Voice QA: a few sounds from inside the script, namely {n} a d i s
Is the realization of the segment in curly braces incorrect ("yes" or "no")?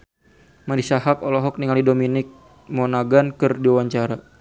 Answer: yes